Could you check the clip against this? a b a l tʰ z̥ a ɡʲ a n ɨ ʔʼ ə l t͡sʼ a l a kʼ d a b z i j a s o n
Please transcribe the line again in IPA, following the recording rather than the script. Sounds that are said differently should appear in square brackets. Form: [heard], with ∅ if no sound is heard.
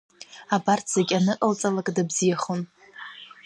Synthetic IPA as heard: a b a [r] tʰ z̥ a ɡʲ a n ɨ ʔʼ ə l t͡sʼ a l a kʼ d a b z i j a [χ] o n